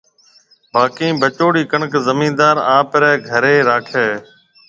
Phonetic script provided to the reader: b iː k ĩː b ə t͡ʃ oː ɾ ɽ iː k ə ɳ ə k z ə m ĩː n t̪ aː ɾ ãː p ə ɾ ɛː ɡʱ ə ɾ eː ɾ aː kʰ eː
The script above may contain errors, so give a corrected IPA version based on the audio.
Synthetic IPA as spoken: b aː k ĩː b ə t͡ʃ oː ɽ iː k ə ɳ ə k z ə m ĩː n d̪ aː ɾ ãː p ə ɾ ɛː ɡʱ ə ɾ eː ɾ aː kʰ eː